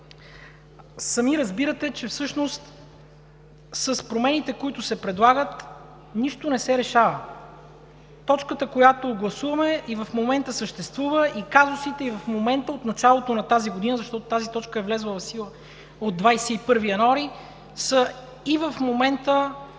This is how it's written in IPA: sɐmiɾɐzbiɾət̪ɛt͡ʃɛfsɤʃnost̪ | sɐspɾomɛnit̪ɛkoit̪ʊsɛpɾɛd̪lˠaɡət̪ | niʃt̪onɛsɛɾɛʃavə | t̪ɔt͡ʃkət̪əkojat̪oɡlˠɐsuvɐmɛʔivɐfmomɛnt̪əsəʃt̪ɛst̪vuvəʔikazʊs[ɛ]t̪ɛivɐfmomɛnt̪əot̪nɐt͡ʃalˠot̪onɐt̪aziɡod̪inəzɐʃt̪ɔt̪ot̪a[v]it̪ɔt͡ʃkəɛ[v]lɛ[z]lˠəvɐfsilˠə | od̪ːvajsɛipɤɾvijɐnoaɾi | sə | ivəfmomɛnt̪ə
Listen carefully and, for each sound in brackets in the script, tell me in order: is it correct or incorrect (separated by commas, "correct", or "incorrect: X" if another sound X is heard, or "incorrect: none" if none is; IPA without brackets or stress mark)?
incorrect: i, incorrect: z, correct, correct